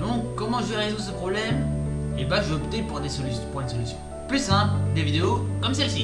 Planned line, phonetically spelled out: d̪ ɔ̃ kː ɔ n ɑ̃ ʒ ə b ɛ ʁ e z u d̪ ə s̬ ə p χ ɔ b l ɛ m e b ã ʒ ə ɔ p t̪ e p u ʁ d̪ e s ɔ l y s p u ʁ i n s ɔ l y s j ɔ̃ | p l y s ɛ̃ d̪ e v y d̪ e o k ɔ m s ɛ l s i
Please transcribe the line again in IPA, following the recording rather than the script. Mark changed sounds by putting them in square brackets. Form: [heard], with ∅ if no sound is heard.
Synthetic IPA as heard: d̪ ɔ̃ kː ɔ [m] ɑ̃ ʒ ə [v] ɛ ʁ e z u d̪ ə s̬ ə p χ ɔ b l ɛ m e b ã ʒ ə ɔ p t̪ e p u ʁ d̪ e s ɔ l y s p u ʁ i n s ɔ l y s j ɔ̃ | p l y s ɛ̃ d̪ e v [i] d̪ e o k ɔ m s ɛ l s i